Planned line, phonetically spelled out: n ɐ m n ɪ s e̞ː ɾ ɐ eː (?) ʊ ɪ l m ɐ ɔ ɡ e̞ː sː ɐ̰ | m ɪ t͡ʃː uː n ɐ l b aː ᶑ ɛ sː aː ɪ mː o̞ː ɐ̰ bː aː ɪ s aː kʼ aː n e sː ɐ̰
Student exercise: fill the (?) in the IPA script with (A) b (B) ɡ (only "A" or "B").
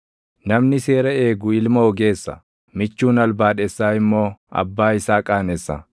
B